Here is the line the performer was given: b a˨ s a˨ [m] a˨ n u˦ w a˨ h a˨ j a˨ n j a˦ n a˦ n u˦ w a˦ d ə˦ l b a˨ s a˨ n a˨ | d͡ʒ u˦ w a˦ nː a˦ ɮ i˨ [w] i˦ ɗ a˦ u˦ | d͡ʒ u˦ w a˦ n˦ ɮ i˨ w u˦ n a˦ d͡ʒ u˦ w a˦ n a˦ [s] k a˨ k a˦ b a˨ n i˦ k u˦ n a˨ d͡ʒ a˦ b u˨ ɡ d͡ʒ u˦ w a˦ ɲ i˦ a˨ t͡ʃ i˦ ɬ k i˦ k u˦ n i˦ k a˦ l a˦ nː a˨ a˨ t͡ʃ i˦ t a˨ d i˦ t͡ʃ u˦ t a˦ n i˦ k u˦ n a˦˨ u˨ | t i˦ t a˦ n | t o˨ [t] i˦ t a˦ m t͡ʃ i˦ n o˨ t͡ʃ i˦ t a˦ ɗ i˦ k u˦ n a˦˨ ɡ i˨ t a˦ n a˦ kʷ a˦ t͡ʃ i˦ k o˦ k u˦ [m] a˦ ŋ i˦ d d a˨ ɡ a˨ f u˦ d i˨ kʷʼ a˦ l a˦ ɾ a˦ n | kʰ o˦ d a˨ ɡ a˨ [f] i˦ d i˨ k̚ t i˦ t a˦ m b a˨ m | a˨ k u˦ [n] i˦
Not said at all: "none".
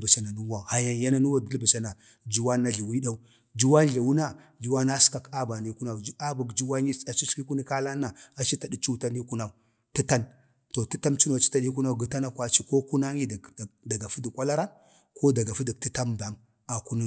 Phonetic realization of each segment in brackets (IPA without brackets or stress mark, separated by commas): n, w, s, t, n, f, n